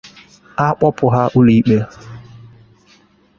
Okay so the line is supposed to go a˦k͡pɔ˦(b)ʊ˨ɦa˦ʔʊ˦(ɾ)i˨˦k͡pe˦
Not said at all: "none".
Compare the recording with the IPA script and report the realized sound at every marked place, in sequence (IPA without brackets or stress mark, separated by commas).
p, l